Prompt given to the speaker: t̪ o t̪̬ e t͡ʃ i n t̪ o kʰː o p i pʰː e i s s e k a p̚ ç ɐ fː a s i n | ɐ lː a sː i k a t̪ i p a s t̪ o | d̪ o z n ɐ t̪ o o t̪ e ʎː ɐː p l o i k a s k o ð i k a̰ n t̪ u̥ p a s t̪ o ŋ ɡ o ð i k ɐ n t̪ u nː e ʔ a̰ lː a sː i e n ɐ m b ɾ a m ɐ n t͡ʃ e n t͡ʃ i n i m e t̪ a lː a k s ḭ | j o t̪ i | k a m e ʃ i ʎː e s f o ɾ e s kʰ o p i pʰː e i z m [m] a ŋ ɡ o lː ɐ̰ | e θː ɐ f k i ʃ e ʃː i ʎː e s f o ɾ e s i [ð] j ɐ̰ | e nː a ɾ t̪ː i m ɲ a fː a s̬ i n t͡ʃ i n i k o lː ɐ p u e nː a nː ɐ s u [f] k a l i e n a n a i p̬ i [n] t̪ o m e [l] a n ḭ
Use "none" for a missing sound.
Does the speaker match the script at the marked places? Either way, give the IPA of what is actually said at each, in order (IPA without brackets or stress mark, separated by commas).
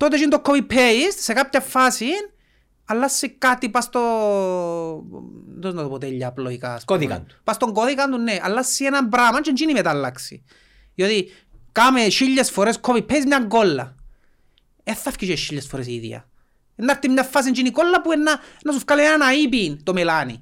ɲ, ð, f, n, l